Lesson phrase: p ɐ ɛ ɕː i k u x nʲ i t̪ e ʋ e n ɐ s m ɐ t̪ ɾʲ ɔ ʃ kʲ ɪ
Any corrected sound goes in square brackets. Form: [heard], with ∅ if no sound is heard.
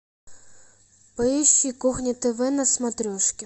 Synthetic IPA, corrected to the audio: p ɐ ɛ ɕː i k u x nʲ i t̪ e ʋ [ɛ] n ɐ s m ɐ t̪ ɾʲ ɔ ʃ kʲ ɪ